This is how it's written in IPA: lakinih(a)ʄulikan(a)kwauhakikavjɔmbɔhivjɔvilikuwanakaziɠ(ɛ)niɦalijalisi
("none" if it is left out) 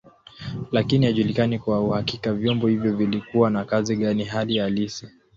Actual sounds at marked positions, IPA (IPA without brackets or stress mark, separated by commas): a, i, a